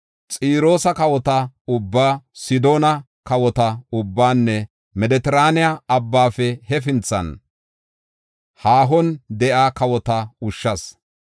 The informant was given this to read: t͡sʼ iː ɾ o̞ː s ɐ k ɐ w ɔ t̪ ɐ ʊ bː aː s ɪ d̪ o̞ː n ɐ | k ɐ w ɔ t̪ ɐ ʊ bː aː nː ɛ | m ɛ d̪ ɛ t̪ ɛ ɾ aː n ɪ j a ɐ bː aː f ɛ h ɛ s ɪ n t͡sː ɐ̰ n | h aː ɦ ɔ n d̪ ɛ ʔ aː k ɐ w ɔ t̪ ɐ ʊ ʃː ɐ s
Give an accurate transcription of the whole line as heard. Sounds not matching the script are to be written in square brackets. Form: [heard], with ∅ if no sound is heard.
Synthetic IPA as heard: t͡sʼ iː ɾ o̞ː s ɐ k ɐ w ɔ t̪ ɐ ʊ bː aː s ɪ d̪ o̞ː n ɐ | k ɐ w ɔ t̪ ɐ ʊ bː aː nː ɛ | m ɛ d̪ ɛ t̪ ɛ ɾ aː n ɪ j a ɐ bː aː f ɛ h ɛ [f] ɪ n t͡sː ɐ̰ n | h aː ɦ ɔ n d̪ ɛ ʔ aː k ɐ w ɔ t̪ ɐ ʊ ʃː ɐ s